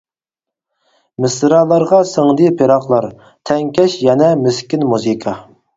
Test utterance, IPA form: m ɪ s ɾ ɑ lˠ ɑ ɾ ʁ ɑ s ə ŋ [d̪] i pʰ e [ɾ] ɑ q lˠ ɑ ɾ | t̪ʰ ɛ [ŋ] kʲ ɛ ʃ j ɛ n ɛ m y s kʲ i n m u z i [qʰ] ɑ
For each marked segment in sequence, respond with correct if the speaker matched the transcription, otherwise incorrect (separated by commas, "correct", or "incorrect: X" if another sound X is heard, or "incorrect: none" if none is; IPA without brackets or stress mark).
correct, correct, correct, incorrect: kʰ